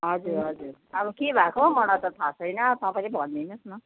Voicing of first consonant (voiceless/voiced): voiced